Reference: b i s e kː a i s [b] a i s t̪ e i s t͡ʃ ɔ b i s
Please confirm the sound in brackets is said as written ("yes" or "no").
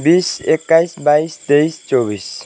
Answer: yes